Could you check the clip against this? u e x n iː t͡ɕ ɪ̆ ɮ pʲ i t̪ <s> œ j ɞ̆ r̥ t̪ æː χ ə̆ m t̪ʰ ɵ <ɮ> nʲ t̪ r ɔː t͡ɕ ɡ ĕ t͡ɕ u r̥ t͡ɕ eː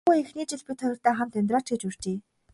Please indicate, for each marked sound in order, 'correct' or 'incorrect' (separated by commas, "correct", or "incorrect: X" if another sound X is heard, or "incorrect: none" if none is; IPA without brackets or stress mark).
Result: incorrect: χ, incorrect: none